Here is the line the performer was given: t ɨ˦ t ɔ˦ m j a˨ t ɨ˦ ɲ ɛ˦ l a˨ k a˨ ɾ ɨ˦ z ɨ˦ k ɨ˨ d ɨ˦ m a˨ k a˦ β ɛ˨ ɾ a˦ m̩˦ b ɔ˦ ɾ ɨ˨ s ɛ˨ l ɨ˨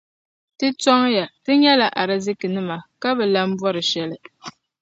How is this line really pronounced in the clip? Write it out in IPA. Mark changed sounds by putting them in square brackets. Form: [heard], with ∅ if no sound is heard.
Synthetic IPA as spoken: t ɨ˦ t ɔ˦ [ŋ] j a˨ t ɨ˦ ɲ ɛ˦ l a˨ [ʔ] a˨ ɾ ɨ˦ z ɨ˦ k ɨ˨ [n] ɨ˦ m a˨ k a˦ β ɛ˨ [l] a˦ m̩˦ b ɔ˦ ɾ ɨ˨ [ʃ] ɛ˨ l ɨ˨